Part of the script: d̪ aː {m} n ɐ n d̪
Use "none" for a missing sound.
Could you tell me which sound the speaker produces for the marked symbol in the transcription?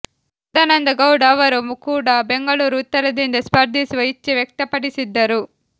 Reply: none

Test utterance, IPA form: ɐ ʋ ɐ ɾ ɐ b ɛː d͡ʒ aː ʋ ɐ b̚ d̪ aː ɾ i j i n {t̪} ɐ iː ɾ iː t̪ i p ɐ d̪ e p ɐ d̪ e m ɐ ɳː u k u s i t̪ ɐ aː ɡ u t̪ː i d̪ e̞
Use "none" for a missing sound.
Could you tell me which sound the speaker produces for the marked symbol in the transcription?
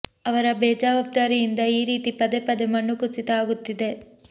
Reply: d̪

